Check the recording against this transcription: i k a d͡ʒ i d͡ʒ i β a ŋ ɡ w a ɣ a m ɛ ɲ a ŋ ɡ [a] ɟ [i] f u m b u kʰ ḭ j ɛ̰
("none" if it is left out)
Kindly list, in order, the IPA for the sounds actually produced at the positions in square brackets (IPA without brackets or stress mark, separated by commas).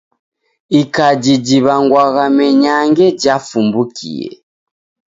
ɛ, a